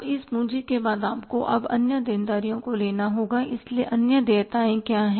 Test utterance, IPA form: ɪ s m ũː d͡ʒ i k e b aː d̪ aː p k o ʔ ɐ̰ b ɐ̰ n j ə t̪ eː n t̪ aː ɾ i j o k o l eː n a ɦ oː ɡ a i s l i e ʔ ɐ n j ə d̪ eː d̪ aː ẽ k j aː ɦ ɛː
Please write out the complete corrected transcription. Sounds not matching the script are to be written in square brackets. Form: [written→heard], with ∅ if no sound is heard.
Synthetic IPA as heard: ɪ s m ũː d͡ʒ i k e b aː d̪ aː p k o ʔ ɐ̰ b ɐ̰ n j ə [t̪→d̪] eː n [t̪→d̪] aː ɾ i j [o→õ] k o l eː n a ɦ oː ɡ a [i→ɪ] s l i e ʔ ɐ n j ə d̪ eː [d̪→t̪] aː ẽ k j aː ɦ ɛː